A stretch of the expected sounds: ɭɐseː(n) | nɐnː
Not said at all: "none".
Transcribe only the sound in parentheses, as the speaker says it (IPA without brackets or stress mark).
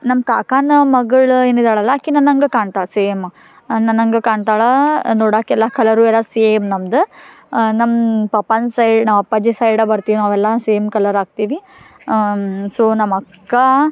m